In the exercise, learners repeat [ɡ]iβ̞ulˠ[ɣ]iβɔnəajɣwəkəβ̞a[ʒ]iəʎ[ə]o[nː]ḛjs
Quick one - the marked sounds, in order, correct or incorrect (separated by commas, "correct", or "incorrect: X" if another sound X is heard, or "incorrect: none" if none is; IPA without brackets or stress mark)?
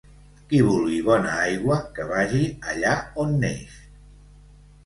incorrect: k, correct, correct, incorrect: a, correct